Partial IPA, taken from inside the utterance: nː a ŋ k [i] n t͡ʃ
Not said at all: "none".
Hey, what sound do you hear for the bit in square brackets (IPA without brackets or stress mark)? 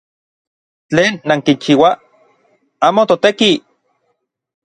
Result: i